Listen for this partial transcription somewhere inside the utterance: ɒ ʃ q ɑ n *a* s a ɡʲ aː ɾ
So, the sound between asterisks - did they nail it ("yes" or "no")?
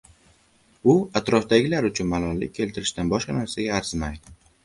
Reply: yes